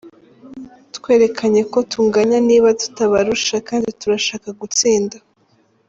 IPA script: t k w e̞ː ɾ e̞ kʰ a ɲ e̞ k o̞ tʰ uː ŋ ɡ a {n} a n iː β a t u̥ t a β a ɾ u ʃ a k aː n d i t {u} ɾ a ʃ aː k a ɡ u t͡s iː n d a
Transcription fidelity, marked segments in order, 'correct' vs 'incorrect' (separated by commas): incorrect, correct